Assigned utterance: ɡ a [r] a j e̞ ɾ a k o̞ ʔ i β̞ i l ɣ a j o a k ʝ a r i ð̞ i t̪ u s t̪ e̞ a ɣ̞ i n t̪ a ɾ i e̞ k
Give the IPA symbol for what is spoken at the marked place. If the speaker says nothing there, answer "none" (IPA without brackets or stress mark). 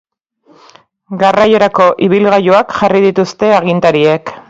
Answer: r